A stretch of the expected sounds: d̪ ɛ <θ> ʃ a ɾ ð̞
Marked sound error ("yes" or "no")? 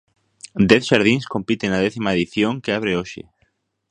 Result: no